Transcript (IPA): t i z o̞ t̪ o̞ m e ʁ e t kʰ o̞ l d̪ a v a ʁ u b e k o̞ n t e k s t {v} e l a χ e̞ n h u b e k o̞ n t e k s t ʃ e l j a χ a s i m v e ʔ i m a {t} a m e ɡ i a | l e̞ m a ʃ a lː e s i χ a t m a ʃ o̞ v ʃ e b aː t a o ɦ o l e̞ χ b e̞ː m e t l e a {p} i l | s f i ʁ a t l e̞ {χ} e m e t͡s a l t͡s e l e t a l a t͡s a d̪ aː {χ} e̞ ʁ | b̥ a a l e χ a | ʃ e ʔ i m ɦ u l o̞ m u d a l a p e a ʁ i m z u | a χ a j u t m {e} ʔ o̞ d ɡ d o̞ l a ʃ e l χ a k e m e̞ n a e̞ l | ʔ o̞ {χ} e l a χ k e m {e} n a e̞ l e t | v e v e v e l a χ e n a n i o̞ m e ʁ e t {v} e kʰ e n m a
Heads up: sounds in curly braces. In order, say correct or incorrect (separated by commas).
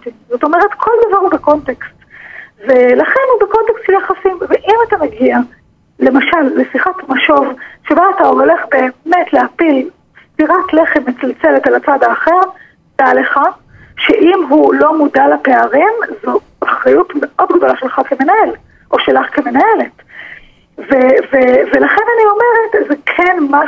correct, correct, correct, correct, correct, correct, incorrect, correct, incorrect